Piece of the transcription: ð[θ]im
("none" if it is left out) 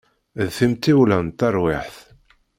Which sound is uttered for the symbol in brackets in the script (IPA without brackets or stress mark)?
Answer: θ